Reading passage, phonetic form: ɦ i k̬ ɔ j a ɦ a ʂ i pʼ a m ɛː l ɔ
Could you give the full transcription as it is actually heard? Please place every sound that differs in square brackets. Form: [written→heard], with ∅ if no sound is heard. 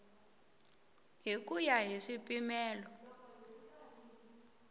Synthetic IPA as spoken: ɦ i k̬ [ɔ→u] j a ɦ [a→i] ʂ i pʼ [a→i] m ɛː l ɔ